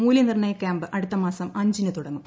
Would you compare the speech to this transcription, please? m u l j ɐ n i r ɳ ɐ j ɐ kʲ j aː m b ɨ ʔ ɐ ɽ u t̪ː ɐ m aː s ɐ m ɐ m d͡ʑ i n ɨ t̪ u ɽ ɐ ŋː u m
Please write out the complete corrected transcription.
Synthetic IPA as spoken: m uː l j ɐ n i r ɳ ɐ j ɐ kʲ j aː m b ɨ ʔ ɐ ɽ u t̪ː ɐ m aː s ɐ m ɐ ɲ d͡ʑ i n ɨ t̪ u ɽ ɐ ŋː u m